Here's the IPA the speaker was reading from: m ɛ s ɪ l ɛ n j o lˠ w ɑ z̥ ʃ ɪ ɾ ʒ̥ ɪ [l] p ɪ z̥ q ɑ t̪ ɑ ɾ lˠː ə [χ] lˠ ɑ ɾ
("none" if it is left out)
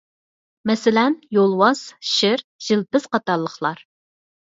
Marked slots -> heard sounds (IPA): l, χ

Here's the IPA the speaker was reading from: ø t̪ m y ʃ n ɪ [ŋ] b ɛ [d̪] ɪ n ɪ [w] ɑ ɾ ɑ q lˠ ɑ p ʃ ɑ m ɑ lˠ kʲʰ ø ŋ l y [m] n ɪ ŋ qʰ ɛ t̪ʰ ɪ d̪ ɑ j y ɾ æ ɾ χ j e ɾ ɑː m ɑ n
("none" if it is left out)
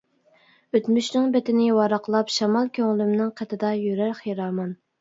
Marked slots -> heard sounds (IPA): ŋ, t̪, w, m

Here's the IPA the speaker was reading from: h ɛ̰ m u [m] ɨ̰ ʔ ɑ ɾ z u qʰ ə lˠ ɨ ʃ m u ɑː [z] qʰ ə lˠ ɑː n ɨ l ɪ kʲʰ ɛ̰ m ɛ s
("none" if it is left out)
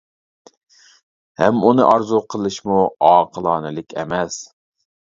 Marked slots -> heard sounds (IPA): n, none

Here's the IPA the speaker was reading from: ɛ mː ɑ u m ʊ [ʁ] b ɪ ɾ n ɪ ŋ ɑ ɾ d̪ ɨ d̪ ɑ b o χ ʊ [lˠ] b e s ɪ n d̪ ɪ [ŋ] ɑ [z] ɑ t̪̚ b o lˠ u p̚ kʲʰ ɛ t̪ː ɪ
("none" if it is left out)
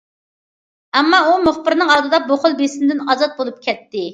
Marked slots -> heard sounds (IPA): χ, lˠ, n, z

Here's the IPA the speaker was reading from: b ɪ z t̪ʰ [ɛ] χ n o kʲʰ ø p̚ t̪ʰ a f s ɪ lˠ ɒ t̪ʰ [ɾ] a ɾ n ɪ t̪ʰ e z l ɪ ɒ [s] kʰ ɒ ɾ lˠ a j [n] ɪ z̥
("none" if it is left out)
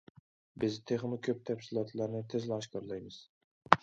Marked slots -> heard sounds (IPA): e, l, ʃ, m

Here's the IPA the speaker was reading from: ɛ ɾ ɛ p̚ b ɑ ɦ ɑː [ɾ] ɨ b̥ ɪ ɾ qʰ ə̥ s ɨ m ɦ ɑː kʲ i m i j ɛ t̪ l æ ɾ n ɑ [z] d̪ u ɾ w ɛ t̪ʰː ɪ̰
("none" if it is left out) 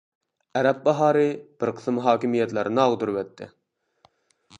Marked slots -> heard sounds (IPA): ɾ, ʁ

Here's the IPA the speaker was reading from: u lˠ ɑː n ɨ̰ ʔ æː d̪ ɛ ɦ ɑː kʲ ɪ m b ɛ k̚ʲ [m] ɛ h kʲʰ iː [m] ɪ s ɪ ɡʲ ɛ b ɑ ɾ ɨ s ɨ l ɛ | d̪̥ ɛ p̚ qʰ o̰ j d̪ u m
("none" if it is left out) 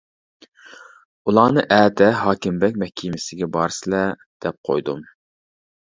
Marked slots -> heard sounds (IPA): m, m

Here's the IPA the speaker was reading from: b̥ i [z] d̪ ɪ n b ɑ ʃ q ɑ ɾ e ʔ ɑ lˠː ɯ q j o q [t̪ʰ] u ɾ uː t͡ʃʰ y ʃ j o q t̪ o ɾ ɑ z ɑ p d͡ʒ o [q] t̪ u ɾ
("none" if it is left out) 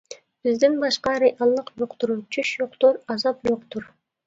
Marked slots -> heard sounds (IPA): z, t̪, q

